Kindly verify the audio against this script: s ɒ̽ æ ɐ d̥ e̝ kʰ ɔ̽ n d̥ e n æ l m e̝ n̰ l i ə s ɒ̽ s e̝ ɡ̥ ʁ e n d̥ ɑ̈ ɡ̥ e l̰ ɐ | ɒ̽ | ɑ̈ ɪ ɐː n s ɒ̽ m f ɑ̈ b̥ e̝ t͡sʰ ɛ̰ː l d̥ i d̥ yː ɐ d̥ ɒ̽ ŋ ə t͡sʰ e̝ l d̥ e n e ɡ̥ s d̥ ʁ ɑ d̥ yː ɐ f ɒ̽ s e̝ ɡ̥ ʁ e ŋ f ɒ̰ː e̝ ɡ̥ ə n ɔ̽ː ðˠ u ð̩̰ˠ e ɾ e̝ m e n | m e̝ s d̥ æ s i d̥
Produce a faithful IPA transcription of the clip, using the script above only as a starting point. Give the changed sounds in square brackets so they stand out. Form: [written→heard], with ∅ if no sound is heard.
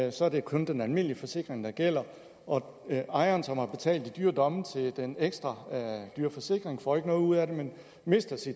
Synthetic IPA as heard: s ɒ̽ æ ɐ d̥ e̝ kʰ ɔ̽ n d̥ e n æ l m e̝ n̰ l i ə [s→f] ɒ̽ s e̝ ɡ̥ ʁ e [n→ŋ] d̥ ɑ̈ ɡ̥ e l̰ ɐ | ɒ̽ | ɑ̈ ɪ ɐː n s ɒ̽ m [f→h] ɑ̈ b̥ e̝ t͡sʰ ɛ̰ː l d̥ i d̥ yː ɐ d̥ ɒ̽ [ŋ→m] ə t͡sʰ e̝ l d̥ e n e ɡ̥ s d̥ ʁ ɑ d̥ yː ɐ f ɒ̽ s e̝ ɡ̥ ʁ e ŋ f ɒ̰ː e̝ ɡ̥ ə n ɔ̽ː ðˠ u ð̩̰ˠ [e→æ] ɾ e̝ m e n | m e̝ s d̥ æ s i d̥